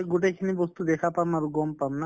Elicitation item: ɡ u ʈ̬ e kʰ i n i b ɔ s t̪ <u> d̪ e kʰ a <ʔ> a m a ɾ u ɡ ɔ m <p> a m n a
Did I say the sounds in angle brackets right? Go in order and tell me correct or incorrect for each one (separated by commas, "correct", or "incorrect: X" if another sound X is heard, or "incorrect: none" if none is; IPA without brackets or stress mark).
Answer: correct, incorrect: p, correct